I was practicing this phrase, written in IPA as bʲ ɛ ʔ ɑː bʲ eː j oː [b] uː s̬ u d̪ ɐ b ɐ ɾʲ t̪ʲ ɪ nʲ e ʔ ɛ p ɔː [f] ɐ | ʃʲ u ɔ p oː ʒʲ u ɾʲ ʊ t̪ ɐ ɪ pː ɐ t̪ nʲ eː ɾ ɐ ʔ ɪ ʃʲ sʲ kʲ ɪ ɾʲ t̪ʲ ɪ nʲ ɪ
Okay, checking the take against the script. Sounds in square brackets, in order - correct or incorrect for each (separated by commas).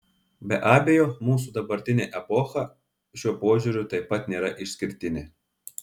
incorrect, incorrect